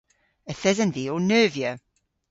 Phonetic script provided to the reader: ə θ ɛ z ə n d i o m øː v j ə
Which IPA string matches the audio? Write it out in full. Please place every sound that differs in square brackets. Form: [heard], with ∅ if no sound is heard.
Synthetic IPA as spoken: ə θ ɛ z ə n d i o [n] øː v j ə